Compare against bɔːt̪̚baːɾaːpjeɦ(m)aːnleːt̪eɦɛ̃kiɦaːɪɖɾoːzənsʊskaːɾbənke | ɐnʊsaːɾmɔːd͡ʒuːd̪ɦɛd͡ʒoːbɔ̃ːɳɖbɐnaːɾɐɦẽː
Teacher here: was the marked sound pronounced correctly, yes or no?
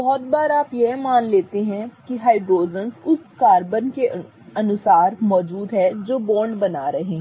yes